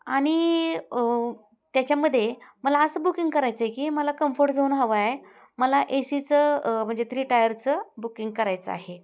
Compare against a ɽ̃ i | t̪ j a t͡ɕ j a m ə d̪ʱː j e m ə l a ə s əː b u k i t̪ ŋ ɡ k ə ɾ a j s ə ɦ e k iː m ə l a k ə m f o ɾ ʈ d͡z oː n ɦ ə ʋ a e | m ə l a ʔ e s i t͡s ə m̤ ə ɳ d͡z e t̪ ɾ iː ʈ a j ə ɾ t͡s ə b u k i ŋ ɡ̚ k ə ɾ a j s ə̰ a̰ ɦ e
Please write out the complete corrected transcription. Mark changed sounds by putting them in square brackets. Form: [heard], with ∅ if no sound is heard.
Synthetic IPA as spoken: a ɽ̃ i | t̪ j a t͡ɕ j a m ə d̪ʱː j e m ə l a ə s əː b u k i [∅] ŋ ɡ k ə ɾ a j [t͡s] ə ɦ e k iː m ə l a k ə m f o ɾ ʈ d͡z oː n ɦ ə ʋ a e | m ə l a ʔ e s i t͡s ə m̤ ə ɳ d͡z e t̪ ɾ iː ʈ a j ə ɾ t͡s ə b u k i ŋ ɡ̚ k ə ɾ a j [t͡s] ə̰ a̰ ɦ e